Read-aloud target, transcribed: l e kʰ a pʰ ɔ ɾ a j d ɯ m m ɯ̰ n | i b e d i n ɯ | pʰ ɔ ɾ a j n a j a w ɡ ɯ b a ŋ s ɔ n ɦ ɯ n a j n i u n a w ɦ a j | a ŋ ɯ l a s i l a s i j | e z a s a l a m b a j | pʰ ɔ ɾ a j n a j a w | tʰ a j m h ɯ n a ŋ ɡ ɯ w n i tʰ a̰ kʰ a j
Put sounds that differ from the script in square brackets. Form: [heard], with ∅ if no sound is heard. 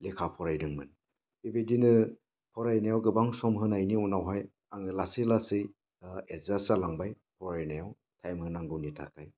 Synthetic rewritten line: l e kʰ a pʰ ɔ ɾ a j d ɯ [ŋ] m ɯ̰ n | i b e d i n ɯ | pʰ ɔ ɾ a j n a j a w ɡ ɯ b a ŋ s ɔ [m] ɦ ɯ n a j n i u n a w ɦ a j | a ŋ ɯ l a s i l a s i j | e z a s a l a [ŋ] b a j | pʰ ɔ ɾ a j n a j a w | tʰ a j m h ɯ n a ŋ ɡ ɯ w n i tʰ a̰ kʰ a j